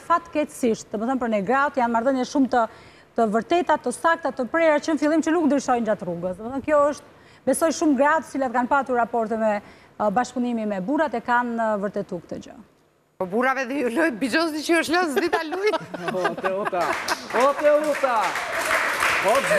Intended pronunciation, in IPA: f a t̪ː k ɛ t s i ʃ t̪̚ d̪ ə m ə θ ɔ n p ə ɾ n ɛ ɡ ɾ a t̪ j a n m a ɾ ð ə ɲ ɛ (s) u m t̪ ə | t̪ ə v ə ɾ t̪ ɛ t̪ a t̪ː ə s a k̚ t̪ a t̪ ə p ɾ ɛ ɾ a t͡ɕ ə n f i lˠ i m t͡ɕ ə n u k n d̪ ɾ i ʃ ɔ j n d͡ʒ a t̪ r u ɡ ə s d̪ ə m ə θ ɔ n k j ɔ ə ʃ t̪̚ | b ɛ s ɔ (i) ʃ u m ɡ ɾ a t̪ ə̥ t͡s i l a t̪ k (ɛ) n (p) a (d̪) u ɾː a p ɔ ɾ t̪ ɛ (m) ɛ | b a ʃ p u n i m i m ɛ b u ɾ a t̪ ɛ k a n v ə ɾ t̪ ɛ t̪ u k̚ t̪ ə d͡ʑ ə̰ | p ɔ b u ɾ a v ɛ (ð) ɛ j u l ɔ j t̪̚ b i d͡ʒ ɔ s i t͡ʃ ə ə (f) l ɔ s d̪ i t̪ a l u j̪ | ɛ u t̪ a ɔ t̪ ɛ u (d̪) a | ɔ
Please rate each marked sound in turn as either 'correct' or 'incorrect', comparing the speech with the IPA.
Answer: incorrect, incorrect, incorrect, correct, incorrect, correct, correct, incorrect, incorrect

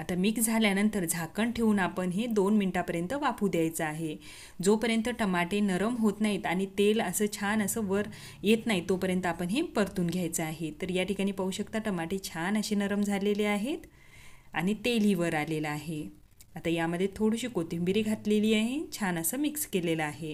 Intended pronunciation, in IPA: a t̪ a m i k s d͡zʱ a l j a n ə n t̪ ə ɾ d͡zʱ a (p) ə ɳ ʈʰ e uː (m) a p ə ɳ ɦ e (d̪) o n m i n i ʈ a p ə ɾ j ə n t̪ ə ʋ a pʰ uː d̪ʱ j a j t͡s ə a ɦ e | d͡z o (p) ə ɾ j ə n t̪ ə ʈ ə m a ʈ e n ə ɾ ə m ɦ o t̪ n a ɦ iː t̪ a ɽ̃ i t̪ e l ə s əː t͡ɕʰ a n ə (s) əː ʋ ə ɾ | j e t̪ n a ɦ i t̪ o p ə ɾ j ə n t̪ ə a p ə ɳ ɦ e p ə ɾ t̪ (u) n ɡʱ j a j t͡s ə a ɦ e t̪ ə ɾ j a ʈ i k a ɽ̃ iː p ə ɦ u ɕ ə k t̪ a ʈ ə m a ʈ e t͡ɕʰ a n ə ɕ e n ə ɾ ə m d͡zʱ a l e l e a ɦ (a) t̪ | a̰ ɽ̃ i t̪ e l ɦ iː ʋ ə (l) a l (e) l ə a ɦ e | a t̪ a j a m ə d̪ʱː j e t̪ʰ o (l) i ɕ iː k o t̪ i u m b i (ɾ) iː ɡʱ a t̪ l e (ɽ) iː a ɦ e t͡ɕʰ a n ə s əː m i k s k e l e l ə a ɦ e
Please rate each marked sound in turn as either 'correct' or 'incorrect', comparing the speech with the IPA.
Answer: incorrect, incorrect, correct, correct, correct, incorrect, incorrect, incorrect, correct, incorrect, correct, incorrect

